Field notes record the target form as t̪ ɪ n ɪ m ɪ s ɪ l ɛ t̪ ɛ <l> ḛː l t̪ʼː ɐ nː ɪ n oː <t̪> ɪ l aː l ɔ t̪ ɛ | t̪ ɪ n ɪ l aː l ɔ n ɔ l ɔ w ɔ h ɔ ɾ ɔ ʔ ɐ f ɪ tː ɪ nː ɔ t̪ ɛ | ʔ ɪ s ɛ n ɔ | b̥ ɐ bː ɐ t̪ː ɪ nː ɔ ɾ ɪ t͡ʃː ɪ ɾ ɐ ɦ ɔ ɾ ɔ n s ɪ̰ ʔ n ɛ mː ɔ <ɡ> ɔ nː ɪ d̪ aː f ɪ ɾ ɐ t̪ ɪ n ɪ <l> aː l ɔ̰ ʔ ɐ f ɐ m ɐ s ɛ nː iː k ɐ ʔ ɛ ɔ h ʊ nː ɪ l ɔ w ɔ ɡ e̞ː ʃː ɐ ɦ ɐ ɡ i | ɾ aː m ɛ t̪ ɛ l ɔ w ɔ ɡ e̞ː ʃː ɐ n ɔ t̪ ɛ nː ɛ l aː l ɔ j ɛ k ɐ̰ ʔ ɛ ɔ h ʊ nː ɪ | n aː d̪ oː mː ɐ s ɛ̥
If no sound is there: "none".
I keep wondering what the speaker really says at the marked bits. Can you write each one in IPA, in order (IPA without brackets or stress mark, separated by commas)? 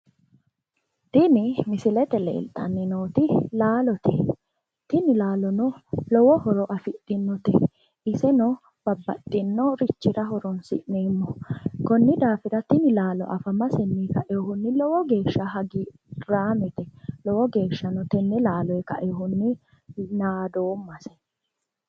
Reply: l, t̪, k, l